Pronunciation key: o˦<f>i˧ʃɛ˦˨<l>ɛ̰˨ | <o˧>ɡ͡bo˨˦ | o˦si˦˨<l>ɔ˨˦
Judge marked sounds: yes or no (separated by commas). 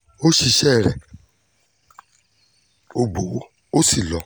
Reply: no, no, yes, yes